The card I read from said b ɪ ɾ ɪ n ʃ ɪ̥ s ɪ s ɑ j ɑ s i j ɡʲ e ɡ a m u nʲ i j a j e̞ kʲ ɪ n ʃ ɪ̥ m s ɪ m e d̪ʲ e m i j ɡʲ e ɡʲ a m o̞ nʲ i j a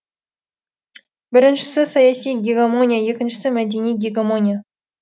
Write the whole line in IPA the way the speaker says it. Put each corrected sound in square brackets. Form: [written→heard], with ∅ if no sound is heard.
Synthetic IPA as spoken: b ɪ ɾ ɪ n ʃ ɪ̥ s ɪ s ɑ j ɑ s i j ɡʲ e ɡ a m [u→o] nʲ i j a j e̞ kʲ ɪ n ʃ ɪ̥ [m→∅] s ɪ m [e→æ] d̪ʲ e [m→n] i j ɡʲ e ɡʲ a m o̞ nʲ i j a